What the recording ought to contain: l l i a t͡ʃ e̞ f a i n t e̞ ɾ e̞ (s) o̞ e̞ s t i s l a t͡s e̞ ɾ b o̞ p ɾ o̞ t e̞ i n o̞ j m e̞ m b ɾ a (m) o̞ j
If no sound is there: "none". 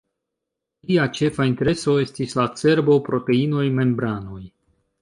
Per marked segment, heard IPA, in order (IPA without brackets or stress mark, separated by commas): s, n